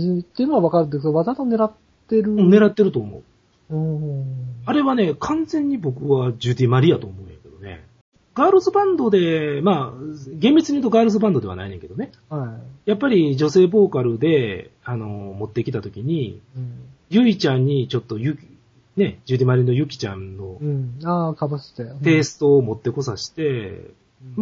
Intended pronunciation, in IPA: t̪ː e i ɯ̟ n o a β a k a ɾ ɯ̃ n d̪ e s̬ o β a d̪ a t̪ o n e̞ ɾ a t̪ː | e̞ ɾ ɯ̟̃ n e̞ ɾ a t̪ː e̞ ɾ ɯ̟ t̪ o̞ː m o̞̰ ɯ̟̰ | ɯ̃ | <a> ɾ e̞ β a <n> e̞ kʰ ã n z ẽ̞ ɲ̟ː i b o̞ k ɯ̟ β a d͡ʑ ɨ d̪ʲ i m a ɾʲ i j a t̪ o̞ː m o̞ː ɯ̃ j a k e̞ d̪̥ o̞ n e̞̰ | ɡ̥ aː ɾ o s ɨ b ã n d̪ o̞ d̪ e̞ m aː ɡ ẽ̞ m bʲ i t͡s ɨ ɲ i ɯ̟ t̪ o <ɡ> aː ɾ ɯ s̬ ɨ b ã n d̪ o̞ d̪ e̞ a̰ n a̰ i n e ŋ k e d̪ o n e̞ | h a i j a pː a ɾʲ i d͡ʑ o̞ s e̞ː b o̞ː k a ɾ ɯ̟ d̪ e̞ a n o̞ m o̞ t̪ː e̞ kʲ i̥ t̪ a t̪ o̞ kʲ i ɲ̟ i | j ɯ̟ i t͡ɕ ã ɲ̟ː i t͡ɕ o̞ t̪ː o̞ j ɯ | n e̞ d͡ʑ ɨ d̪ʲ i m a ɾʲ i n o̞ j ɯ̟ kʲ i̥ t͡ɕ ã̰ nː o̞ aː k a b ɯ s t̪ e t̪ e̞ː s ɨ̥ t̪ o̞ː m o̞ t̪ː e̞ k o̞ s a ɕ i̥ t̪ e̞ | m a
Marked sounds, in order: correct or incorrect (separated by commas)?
correct, correct, correct